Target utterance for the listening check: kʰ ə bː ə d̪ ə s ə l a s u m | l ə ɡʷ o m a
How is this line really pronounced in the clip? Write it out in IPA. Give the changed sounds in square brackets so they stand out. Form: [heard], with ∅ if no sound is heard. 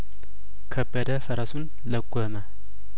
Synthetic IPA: kʰ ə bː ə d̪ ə [f] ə [ɾ] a s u [n] | l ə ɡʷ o m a